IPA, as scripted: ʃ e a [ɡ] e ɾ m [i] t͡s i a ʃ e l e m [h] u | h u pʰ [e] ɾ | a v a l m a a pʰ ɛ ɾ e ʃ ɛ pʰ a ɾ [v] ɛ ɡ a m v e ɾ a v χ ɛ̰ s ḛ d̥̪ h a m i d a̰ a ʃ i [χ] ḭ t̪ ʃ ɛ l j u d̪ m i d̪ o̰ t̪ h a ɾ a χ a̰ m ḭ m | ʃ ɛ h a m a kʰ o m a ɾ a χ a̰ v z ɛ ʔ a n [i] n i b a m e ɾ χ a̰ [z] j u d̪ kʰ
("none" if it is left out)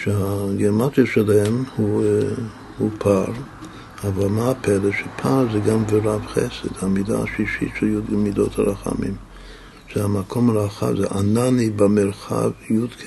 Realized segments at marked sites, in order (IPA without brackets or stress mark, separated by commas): ɡ, a, h, a, z, ʃ, a, v